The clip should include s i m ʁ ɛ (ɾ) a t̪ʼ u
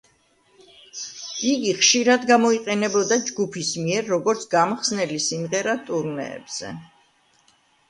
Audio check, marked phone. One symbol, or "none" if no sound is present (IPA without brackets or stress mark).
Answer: ɾ